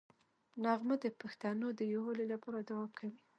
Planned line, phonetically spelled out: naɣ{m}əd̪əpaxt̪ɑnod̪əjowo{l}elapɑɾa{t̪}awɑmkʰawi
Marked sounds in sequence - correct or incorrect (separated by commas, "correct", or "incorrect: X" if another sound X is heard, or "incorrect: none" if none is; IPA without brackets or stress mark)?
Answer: correct, correct, incorrect: d̪